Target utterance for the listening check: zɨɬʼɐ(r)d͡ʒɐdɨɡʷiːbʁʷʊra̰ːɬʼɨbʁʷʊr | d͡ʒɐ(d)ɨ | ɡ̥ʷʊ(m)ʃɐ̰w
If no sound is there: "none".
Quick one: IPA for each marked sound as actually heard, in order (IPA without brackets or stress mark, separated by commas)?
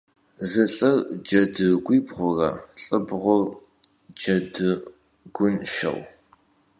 r, d, n